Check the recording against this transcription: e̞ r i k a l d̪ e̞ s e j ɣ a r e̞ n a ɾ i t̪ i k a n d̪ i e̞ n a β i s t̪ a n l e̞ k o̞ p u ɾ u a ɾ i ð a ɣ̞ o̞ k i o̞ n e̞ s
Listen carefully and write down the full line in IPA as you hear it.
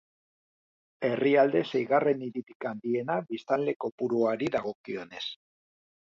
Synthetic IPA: e̞ r i a l d̪ e̞ s e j ɣ a r e̞ n i ɾ i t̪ i k a n d̪ i e̞ n a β i s t̪ a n l e̞ k o̞ p u ɾ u a ɾ i ð a ɣ̞ o̞ k i o̞ n e̞ s